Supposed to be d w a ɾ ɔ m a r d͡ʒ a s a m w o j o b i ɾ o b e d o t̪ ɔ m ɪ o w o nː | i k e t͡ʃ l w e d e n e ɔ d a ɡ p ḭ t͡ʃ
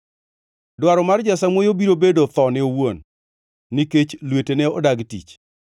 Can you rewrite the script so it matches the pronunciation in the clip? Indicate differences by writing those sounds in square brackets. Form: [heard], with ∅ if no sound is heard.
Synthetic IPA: d w a ɾ ɔ m a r d͡ʒ a s a m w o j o b i ɾ o b e d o t̪ ɔ [n] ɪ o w o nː | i k e t͡ʃ l w e [t] e n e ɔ d a ɡ [t] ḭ t͡ʃ